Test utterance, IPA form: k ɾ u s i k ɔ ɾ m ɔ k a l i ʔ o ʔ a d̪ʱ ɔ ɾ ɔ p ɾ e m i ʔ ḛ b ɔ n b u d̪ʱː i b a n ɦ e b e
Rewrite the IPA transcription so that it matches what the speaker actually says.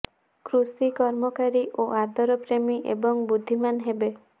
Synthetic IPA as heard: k ɾ u s i k ɔ ɾ m ɔ k a ɾ i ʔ o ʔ a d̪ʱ ɔ ɾ ɔ p ɾ e m i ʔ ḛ b ɔ ŋ b u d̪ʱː i m a n ɦ e b e